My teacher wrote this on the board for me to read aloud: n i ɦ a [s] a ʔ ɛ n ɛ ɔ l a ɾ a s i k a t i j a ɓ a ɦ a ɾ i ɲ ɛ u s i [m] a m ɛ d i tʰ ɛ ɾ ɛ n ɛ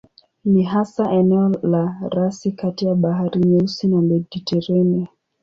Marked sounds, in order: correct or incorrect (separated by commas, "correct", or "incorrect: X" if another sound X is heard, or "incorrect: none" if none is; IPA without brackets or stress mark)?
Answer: correct, incorrect: n